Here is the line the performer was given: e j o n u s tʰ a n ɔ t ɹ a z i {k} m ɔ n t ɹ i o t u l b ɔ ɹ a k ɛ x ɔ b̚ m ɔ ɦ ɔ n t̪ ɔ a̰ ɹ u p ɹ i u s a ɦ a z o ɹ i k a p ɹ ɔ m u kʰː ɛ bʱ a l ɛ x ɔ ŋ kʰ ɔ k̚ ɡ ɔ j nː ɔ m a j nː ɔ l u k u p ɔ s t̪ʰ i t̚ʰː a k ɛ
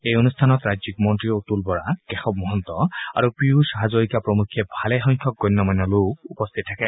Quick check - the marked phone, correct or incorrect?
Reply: correct